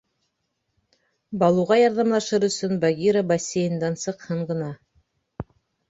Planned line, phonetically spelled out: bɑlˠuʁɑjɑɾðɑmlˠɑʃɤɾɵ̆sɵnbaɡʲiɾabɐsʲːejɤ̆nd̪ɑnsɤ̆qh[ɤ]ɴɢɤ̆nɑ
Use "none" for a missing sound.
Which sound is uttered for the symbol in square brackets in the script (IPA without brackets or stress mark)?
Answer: ɤ